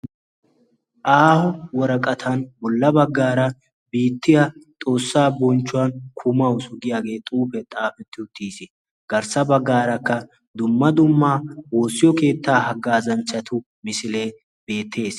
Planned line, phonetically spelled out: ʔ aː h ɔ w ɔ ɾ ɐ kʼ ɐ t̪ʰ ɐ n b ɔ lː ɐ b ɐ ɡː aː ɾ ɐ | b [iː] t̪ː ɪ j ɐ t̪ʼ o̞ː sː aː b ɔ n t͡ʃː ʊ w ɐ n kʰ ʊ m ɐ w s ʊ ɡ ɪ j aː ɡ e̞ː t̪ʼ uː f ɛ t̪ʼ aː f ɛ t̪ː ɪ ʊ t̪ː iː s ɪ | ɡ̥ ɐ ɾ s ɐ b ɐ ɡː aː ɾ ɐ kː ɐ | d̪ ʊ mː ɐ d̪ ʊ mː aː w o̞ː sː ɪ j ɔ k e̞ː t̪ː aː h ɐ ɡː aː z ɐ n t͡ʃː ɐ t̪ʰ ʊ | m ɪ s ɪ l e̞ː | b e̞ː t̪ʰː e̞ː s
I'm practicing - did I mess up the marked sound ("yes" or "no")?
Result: no